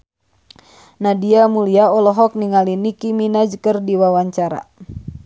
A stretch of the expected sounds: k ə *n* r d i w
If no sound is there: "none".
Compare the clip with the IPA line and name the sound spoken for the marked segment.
none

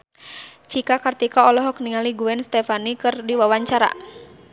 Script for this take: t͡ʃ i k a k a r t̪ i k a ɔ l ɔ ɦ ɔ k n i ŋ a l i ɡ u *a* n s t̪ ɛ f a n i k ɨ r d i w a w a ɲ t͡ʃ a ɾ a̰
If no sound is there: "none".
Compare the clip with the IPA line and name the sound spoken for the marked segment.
ɛ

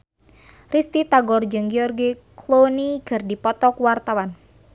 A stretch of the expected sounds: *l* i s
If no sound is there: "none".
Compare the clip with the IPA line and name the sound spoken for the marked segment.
r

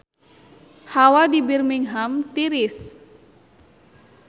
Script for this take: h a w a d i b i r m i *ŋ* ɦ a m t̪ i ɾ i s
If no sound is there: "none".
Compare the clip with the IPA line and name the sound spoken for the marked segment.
ŋ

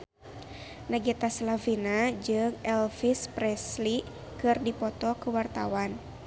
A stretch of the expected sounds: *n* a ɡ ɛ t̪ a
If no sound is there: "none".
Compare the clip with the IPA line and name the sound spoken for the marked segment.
n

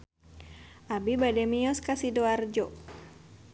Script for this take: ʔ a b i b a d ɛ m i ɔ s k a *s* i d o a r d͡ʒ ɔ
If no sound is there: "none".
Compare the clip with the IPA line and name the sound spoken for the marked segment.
s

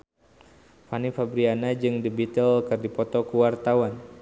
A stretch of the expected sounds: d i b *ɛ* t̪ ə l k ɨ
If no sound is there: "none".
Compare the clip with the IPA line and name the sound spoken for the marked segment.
i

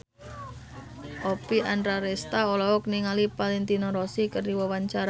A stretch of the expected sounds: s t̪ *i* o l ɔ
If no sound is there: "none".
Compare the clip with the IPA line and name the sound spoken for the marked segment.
a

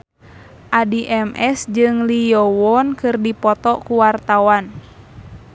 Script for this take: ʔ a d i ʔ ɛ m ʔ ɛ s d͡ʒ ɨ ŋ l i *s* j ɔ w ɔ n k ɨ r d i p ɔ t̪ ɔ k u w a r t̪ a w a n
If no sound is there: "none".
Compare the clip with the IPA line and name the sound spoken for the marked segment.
none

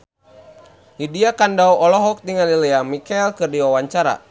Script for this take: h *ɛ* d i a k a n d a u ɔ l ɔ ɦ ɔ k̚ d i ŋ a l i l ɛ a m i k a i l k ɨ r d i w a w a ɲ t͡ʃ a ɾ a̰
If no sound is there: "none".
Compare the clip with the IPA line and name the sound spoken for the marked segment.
i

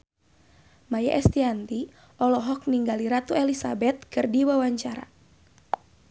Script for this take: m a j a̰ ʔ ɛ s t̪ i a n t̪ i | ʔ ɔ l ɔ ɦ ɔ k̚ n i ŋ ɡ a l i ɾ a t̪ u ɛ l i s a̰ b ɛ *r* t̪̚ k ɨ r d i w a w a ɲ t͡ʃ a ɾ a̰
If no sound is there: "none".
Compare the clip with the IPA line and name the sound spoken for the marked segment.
none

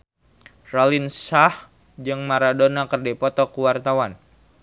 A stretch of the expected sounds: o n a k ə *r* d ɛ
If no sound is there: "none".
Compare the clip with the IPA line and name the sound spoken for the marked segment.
r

